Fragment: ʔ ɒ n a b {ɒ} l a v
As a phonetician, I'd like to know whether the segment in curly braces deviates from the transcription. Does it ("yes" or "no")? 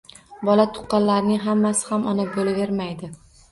yes